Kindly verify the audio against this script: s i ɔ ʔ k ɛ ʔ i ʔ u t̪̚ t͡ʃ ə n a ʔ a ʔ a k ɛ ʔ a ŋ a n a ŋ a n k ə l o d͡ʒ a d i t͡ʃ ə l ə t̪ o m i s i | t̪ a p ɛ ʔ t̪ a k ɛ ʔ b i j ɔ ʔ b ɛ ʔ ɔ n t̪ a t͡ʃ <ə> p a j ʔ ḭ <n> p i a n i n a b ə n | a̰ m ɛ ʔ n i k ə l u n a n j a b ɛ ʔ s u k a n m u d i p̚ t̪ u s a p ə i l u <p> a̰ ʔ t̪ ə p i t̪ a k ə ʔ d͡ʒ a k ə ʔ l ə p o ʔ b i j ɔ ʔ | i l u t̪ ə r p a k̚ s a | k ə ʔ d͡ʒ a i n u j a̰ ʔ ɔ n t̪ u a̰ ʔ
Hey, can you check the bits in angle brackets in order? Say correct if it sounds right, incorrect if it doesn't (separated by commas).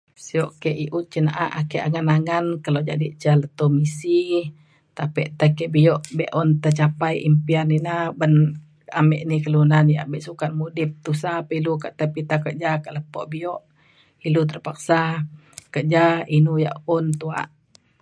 incorrect, incorrect, incorrect